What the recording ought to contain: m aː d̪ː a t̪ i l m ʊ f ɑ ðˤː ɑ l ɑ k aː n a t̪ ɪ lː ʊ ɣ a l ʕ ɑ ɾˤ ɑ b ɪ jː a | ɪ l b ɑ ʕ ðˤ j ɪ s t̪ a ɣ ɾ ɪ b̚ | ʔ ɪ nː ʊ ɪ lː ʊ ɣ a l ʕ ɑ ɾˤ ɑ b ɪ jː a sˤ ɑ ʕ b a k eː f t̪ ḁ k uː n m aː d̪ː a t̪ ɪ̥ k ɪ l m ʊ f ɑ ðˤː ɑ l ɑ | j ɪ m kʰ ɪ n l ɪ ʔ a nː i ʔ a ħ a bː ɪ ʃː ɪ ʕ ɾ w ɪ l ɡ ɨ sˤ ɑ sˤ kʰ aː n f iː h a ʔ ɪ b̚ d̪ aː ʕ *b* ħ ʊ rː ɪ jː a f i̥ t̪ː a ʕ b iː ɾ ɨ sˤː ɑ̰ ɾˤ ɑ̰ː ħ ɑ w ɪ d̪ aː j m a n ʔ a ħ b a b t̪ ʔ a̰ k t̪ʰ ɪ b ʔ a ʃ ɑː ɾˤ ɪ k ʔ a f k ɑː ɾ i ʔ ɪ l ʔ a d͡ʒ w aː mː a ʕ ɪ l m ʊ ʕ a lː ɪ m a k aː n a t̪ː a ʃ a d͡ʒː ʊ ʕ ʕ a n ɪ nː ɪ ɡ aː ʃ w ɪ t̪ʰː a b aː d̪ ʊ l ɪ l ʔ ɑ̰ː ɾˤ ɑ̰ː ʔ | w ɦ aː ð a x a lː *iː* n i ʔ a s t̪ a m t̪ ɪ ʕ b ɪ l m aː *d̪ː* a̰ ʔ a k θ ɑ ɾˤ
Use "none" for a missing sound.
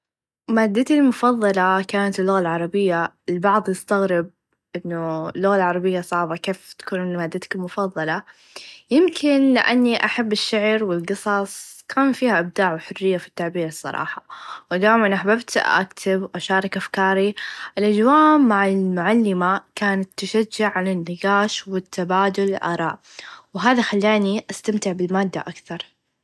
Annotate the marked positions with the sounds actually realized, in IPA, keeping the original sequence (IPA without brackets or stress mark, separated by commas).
w, aː, d̪ː